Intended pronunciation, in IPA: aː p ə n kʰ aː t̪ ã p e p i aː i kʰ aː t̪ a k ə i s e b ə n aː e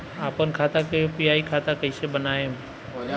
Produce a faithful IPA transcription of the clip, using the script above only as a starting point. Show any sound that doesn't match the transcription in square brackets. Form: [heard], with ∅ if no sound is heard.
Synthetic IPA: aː p ə n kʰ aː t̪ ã [k] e p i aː i kʰ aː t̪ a k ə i s e b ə n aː e